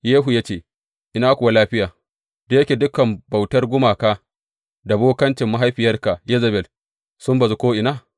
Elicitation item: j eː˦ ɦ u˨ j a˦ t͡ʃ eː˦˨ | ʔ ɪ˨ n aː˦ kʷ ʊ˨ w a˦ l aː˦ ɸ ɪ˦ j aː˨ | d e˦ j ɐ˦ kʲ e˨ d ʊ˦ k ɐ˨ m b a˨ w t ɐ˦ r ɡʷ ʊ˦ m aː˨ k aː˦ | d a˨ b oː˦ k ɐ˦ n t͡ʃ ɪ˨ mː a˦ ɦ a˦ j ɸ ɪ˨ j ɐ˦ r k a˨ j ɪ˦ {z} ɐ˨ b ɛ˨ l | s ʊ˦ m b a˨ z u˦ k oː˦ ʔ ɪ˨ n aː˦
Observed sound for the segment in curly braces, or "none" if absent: z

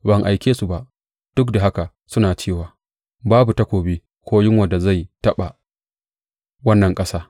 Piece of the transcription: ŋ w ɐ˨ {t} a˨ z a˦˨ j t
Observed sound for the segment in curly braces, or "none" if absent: d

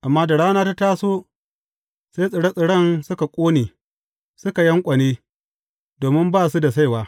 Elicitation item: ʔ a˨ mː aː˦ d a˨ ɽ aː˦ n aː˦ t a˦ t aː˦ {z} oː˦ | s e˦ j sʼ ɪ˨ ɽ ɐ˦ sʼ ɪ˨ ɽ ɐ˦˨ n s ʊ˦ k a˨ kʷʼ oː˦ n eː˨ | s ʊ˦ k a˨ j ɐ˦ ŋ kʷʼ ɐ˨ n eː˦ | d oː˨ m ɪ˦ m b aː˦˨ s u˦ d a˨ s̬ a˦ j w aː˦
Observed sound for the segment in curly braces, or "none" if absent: s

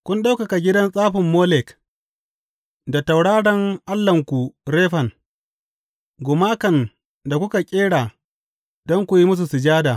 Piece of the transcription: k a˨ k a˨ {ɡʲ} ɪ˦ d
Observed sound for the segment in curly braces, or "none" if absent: ɡʲ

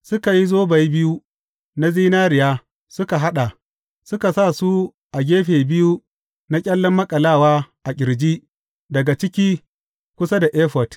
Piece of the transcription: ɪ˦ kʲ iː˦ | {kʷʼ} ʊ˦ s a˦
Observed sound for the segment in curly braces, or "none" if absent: kʷ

